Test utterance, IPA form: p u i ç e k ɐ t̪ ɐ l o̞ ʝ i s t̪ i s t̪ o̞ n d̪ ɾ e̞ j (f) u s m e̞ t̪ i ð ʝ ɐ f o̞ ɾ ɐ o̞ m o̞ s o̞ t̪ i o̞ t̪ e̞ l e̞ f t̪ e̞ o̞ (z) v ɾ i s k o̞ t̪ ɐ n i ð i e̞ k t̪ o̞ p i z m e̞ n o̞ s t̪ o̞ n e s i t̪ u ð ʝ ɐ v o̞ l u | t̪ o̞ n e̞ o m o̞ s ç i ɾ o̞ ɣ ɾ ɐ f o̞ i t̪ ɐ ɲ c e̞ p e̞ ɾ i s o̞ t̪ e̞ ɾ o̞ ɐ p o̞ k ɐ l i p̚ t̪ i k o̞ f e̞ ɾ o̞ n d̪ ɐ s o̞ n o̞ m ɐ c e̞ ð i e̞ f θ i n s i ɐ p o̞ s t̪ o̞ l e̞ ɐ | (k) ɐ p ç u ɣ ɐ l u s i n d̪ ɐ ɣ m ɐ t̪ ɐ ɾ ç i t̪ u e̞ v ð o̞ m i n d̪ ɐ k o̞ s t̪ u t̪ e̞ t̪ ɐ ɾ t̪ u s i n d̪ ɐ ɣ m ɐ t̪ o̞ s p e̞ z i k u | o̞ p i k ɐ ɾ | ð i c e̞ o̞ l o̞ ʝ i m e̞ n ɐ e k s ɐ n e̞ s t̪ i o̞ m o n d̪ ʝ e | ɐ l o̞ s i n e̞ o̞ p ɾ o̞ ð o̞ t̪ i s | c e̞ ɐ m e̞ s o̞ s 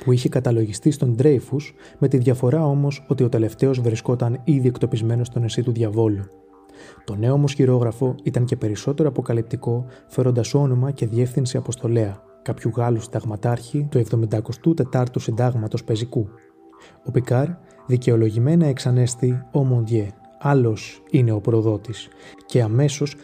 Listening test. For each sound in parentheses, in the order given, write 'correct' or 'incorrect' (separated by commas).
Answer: correct, correct, correct